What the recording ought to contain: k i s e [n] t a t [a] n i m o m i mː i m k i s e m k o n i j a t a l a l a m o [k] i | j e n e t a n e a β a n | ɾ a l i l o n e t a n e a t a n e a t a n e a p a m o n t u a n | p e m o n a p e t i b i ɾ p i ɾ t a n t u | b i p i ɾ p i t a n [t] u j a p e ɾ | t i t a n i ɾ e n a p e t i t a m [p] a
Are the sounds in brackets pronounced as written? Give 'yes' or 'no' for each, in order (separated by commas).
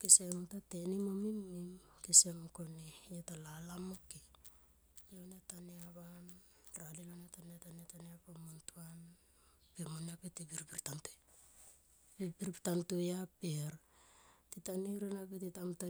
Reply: no, no, yes, yes, no